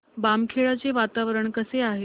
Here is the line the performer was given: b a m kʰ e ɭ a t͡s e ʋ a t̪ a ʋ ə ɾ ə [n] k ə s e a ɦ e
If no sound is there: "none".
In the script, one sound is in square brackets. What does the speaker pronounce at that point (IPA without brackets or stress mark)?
ɳ